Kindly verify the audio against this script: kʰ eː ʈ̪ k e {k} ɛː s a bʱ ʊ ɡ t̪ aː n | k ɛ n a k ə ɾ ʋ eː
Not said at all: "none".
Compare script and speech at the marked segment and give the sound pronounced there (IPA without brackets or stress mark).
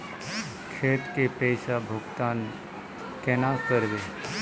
p